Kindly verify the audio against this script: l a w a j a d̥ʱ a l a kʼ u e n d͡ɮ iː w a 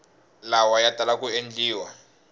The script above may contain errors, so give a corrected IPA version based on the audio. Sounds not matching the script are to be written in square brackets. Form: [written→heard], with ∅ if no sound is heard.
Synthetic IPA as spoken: l a w a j a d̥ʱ a l a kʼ u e n d͡ɮ iː w a